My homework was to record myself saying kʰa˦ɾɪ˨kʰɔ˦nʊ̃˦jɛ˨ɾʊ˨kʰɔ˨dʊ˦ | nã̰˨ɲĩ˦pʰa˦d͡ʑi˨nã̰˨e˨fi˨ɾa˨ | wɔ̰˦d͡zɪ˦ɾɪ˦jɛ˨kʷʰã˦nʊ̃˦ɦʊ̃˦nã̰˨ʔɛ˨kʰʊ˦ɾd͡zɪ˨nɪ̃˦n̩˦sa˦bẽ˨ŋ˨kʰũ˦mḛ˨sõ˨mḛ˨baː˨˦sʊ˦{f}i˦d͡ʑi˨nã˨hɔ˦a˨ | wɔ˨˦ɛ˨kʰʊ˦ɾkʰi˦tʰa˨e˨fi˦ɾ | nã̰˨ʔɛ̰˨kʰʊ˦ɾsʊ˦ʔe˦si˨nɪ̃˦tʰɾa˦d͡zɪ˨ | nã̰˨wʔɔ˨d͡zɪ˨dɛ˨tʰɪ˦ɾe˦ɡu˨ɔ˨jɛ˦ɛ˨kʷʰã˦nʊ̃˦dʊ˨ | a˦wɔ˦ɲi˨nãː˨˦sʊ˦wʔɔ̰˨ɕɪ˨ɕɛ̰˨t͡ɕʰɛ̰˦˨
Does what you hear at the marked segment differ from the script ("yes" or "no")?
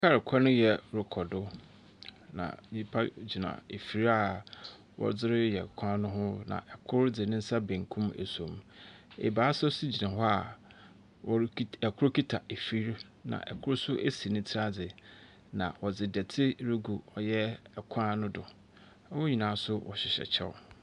yes